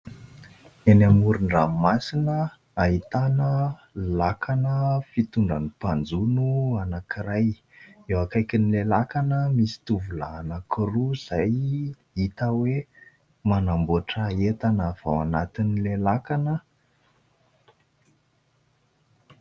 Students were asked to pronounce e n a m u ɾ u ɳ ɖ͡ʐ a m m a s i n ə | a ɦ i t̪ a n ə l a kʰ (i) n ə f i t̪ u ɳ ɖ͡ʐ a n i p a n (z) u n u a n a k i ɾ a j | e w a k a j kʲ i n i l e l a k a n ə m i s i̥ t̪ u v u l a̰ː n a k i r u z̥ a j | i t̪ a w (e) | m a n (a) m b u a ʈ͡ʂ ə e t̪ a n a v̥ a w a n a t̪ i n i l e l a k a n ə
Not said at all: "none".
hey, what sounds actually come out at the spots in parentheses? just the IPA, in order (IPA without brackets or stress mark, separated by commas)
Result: a, d͡z, e, a